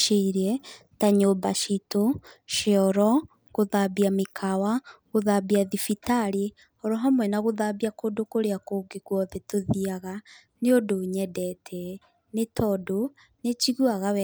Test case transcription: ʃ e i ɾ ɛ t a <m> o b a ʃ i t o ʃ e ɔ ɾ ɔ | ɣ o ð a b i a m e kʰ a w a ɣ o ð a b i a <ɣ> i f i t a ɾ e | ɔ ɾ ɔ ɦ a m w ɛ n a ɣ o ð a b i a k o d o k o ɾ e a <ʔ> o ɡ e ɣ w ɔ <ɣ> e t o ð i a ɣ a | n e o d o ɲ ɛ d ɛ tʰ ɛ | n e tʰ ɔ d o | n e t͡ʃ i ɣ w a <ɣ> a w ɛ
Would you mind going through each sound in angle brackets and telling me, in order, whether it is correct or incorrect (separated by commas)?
incorrect, incorrect, incorrect, incorrect, correct